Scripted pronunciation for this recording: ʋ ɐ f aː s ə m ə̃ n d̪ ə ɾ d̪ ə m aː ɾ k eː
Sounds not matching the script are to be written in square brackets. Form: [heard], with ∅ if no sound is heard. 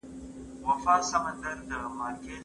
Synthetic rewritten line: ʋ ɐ f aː s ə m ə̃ n d̪ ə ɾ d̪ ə m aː ɾ k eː